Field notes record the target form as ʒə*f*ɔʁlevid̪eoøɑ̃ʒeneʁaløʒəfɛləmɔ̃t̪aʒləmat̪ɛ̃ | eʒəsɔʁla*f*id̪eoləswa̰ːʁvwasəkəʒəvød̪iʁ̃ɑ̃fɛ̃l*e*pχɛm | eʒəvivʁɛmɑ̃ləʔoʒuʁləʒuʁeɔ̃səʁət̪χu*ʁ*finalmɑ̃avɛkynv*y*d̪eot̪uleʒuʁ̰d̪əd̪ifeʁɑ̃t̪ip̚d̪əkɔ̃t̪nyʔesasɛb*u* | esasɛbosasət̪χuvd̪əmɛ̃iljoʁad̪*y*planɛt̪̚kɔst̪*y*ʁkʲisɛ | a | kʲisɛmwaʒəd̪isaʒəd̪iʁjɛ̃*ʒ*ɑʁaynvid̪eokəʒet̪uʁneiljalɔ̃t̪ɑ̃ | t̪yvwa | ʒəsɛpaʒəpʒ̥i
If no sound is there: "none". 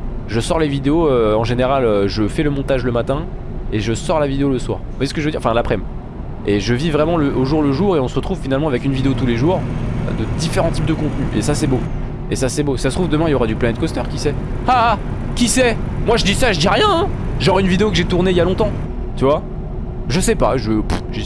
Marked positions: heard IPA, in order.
s, v, a, v, i, o, y, œ, ʒ

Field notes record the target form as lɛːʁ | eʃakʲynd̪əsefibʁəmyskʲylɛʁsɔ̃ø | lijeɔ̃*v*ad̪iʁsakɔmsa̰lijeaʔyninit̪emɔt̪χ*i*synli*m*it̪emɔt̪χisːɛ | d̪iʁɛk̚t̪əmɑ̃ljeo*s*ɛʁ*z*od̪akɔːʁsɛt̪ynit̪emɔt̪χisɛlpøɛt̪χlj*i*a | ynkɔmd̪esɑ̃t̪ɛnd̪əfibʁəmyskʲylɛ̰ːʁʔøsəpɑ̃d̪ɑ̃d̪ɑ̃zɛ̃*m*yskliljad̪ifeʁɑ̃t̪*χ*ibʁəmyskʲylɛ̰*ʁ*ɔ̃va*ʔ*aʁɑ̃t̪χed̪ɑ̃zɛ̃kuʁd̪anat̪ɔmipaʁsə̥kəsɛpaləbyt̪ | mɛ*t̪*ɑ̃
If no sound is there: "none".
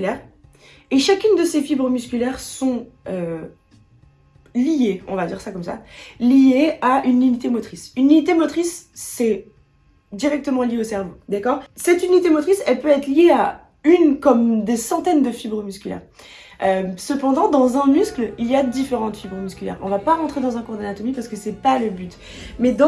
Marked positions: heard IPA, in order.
v, i, n, s, v, e, m, f, ʁ, p, d̪

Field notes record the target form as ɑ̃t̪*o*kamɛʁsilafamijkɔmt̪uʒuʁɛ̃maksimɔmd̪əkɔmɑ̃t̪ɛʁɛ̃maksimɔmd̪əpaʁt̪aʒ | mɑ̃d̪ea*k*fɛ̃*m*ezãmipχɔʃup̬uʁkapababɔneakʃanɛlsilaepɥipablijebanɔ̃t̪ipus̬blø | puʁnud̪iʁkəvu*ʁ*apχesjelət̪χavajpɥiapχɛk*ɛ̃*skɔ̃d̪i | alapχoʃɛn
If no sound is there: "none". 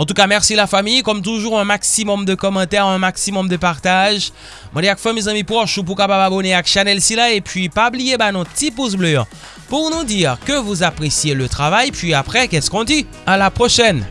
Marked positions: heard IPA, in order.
u, k, m, z, ɛ

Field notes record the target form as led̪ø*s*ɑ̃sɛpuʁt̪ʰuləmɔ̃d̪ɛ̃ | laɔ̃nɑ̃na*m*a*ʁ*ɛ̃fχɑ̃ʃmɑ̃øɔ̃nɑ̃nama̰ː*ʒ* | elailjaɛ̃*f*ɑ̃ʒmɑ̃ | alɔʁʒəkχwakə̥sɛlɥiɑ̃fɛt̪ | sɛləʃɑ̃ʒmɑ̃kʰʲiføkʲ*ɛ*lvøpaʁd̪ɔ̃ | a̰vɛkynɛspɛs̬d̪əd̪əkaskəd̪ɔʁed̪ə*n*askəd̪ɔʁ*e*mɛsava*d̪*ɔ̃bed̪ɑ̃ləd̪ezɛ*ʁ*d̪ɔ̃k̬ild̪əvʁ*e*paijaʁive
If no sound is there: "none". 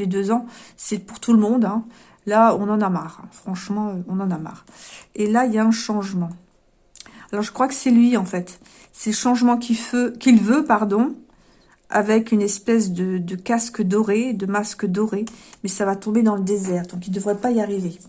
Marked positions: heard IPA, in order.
z, m, ʁ, ʁ, ʃ, i, m, e, t̪, ʁ, ɛ

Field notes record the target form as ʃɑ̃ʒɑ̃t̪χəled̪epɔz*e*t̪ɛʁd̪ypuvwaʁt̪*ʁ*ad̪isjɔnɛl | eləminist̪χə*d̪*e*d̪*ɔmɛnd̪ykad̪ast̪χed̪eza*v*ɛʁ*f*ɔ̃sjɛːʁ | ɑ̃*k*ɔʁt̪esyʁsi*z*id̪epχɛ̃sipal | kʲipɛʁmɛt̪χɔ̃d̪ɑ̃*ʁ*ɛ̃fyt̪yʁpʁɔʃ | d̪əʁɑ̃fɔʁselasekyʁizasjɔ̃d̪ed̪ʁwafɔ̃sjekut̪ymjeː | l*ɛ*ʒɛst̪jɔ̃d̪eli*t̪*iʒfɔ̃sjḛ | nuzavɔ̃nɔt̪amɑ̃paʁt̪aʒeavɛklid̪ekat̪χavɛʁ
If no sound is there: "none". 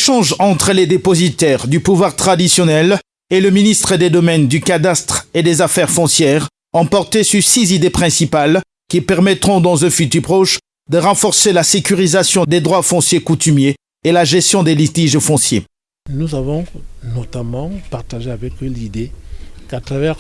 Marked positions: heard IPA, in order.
i, χ, d̪, d̪, f, f, p, z, z, a, t̪

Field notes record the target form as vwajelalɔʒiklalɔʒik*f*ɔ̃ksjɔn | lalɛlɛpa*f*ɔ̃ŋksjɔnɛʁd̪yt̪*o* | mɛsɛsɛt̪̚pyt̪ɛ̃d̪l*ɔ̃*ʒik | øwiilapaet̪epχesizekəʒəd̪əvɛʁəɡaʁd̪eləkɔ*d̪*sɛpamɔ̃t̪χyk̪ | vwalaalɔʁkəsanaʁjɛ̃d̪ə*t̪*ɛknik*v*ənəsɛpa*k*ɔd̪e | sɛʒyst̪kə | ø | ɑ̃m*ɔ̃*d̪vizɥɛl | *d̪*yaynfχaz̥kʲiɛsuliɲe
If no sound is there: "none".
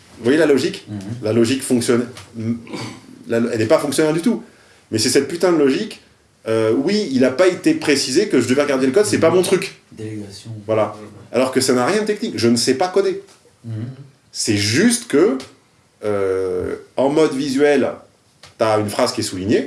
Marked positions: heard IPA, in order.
f, f, u, ɔ, d̪, t̪, ʒ, k, ɔ, t̪

